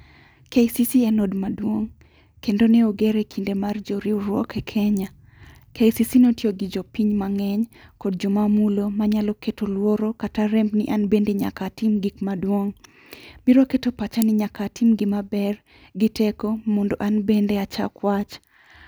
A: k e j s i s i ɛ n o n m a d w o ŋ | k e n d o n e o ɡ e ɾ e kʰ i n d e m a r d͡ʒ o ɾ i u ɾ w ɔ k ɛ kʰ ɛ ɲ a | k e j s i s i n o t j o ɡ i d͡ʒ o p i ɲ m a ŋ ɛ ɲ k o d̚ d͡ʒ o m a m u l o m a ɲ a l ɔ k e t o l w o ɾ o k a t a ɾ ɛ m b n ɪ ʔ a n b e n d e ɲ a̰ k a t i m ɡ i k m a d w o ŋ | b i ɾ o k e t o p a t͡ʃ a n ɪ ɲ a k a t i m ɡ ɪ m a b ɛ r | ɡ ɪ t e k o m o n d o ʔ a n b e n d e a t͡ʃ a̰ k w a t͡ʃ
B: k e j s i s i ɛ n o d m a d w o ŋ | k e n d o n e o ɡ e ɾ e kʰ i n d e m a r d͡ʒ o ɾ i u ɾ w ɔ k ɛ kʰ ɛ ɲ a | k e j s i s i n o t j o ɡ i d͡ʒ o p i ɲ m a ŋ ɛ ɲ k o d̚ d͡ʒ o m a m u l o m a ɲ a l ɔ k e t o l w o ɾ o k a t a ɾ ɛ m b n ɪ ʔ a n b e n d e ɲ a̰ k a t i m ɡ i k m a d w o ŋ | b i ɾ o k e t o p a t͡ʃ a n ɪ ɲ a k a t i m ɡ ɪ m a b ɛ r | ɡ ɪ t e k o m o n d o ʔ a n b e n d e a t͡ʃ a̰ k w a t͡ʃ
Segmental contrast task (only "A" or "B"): B